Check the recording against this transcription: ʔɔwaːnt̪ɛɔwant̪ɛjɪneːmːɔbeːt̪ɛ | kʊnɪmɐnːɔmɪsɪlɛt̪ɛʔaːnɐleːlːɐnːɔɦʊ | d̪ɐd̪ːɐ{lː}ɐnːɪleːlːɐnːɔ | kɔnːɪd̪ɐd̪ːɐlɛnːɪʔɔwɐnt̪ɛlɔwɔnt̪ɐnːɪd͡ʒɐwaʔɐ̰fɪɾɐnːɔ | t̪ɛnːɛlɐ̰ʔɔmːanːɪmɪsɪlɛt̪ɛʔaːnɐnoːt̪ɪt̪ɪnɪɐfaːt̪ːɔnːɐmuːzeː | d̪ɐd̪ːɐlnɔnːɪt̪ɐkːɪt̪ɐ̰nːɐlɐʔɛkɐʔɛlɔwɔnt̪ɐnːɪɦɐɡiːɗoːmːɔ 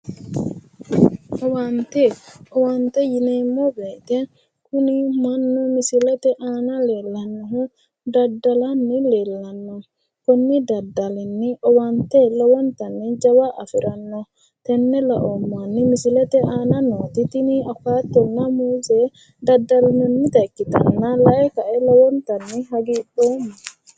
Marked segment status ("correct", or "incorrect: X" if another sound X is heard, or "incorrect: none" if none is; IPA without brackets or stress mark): incorrect: l